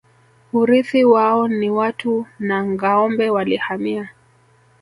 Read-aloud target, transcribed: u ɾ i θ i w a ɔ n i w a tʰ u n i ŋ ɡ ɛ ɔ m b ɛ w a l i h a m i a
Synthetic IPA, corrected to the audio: u ɾ i θ i w a ɔ n i w a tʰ u n a ŋ ɡ a ɔ m b ɛ w a l i h a m i a